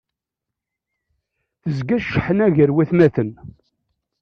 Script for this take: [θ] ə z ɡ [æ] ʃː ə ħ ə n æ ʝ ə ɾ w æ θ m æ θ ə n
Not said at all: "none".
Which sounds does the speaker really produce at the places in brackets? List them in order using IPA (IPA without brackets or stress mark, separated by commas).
θ, æ